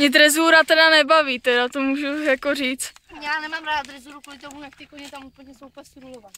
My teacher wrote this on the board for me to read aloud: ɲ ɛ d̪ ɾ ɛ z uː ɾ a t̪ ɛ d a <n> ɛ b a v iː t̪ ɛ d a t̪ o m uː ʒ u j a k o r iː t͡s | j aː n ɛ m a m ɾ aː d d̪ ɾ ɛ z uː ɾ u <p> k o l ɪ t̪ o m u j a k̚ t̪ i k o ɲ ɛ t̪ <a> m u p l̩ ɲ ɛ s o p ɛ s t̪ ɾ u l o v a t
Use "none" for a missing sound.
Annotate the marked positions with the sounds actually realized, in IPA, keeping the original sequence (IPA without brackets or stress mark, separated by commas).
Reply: n, none, a